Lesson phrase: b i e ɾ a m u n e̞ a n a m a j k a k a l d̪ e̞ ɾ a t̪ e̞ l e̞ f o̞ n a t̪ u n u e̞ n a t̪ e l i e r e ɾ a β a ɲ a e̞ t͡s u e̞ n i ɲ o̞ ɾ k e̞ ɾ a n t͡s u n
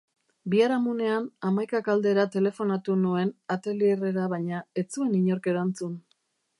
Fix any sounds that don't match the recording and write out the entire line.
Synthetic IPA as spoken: b i a ɾ a m u n e̞ a n a m a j k a k a l d̪ e̞ ɾ a t̪ e̞ l e̞ f o̞ n a t̪ u n u e̞ n a t̪ e l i e r e ɾ a β a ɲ a e̞ t͡s u e̞ n i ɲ o̞ ɾ k e̞ ɾ a n t͡s u n